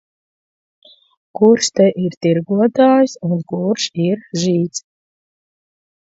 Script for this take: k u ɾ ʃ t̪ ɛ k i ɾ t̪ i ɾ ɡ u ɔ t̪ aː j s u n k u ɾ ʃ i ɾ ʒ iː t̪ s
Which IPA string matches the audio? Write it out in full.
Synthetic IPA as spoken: k u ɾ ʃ t̪ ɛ ʔ i ɾ t̪ i ɾ ɡ u ɔ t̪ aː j s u n k u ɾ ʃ i ɾ ʒ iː t̪ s

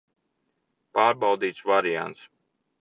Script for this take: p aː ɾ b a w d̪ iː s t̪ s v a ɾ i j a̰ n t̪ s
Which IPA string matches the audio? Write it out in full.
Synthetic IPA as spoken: p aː ɾ b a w d̪ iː t̪ s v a ɾ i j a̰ n t̪ s

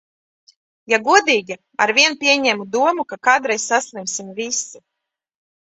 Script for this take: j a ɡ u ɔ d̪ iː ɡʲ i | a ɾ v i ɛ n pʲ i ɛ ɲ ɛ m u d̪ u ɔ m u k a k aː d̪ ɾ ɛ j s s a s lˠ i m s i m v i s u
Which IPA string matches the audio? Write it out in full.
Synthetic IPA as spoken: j a ɡ u ɔ d̪ iː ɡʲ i | a ɾ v i ɛ n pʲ i ɛ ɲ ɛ m u d̪ u ɔ m u k a k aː d̪ ɾ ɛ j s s a s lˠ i m s i m v i s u

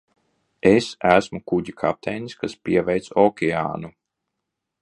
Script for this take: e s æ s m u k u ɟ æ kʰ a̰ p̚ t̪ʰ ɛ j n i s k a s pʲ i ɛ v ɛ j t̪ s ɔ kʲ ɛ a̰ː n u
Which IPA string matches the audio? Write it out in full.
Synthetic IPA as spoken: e s æ s m u k u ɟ i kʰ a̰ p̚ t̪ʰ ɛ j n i s k a s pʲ i ɛ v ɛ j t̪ s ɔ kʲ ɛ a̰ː n u

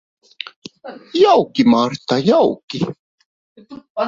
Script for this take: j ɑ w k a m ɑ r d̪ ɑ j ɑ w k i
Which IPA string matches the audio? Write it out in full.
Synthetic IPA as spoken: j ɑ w k i m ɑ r t̪ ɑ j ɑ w k i

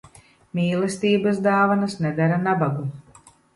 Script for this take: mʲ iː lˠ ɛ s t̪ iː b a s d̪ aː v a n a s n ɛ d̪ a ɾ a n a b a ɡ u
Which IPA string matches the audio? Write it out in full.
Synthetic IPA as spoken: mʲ iː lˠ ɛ s t̪ iː b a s d̪ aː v a n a s n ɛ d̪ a ɾ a n a b a ɡ u

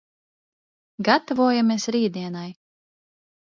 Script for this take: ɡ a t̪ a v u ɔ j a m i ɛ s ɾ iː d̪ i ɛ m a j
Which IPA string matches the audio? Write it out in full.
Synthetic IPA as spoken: ɡ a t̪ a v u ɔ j a m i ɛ s ɾ iː d̪ i ɛ n a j

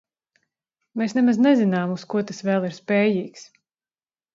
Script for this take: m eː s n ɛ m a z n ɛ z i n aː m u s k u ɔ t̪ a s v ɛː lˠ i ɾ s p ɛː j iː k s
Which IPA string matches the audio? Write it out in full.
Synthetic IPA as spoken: m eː s n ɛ m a z n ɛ z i n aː m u s k u ɔ t̪ a s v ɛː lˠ i ɾ s p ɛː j iː k s

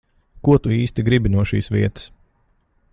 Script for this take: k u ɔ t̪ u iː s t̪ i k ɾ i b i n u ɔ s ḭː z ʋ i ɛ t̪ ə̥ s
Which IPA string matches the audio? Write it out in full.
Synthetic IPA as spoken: k u ɔ t̪ u iː s t̪ i ɡ ɾ i b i n u ɔ ʃ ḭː s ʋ i ɛ t̪ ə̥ s

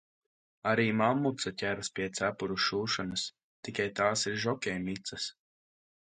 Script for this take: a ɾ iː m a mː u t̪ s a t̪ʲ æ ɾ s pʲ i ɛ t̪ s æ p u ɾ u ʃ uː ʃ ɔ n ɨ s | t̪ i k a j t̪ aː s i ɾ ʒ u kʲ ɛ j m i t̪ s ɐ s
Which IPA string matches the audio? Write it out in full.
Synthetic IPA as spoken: a ɾ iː m a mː u t̪ s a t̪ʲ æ ɾ s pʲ i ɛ t̪ s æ p u ɾ u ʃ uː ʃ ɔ n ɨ s | t̪ i k a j t̪ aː s i ɾ ʒ ɔ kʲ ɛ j m i t̪ s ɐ s

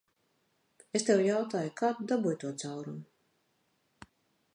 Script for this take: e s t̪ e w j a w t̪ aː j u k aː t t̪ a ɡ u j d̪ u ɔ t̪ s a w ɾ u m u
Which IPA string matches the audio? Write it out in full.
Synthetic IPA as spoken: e s t̪ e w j a w t̪ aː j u k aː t d̪ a b u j t̪ u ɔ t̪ s a w ɾ u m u

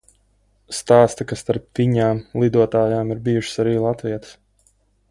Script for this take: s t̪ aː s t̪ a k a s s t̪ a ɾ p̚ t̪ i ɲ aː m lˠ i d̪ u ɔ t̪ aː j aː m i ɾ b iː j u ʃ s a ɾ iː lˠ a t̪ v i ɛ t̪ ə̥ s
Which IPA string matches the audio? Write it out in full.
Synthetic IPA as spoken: s t̪ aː s t̪ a k a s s t̪ a ɾ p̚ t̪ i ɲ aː m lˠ i d̪ u ɔ t̪ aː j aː m i ɾ b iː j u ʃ s a ɾ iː lˠ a t̪ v i ɛ t̪ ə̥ s

